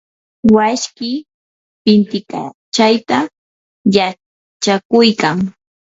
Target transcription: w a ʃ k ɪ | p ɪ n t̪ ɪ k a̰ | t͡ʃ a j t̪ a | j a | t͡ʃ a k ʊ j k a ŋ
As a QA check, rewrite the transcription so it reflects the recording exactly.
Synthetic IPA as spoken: w a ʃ k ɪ | p ɪ n t̪ ɪ k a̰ | t͡ʃ a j t̪ a | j a | t͡ʃ a k ʊ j k a ŋ